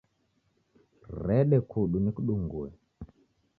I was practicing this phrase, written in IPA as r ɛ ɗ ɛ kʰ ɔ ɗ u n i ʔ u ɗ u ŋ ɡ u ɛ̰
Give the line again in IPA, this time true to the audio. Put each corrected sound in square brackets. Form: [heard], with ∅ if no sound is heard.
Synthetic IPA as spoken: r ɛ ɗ ɛ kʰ [u] ɗ u n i [k] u ɗ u ŋ ɡ u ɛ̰

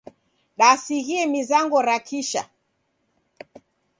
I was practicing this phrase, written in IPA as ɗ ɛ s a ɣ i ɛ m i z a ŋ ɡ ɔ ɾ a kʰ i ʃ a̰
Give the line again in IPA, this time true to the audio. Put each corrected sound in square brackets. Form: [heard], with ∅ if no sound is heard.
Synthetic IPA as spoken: ɗ [a] s [i] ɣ i ɛ m i z a ŋ ɡ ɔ ɾ a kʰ i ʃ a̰

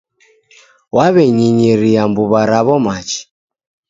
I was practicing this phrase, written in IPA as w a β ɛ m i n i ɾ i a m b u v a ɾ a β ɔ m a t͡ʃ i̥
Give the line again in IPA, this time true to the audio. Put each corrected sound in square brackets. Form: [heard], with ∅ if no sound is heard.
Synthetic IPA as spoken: w a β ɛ [ɲ] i [ɲ] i ɾ i a m b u [β] a ɾ a β ɔ m a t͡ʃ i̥

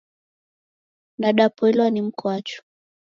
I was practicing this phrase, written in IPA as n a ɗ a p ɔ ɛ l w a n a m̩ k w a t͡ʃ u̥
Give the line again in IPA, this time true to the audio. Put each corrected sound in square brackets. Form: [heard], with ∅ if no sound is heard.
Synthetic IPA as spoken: n a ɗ a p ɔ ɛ l w a n [i] m̩ k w a t͡ʃ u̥

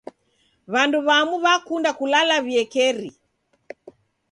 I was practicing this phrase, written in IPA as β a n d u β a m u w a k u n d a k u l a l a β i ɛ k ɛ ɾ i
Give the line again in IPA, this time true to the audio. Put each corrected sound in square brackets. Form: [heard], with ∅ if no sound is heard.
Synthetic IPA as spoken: β a n d u β a m u [β] a k u n d a k u l a l a β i ɛ k ɛ ɾ i

